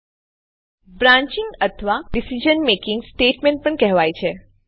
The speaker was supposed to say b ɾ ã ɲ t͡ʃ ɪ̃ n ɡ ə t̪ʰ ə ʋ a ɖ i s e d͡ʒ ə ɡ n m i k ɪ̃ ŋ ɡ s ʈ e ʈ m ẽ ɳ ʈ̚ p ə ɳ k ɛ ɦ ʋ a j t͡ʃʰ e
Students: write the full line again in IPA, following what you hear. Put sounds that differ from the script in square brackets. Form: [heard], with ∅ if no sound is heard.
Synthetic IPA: b ɾ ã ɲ t͡ʃ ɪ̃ [ŋ] ɡ ə t̪ʰ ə ʋ a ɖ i s [i] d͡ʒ ə [∅] n m [e] k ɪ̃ ŋ ɡ s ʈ e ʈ m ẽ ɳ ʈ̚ p ə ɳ k ɛ ɦ ʋ a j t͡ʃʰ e

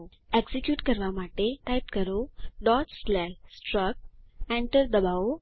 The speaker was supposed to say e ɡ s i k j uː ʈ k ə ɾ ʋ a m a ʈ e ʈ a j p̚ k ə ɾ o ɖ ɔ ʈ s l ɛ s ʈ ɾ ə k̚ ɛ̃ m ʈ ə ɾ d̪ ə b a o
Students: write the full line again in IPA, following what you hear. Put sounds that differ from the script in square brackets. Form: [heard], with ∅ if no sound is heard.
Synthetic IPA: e ɡ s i k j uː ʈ k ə ɾ ʋ a m a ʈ e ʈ a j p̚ k ə ɾ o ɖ ɔ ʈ s l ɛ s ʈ ɾ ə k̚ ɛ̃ [ɳ] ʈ ə ɾ d̪ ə b a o

